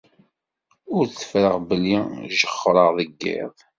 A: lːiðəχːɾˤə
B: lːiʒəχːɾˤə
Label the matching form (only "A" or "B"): B